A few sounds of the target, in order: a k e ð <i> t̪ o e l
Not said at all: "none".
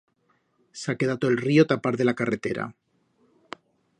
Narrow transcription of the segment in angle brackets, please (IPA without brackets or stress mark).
a